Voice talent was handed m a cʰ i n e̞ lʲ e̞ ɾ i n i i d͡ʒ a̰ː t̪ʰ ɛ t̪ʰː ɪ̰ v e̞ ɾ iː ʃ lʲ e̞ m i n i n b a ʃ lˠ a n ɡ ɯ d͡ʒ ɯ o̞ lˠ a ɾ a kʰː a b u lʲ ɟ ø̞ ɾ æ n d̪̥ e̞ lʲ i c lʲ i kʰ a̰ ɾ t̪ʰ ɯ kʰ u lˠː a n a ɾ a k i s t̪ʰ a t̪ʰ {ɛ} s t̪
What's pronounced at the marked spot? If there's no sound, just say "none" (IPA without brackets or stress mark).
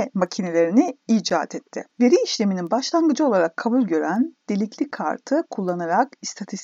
i